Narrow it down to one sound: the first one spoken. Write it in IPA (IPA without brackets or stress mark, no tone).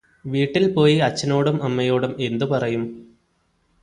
ʋ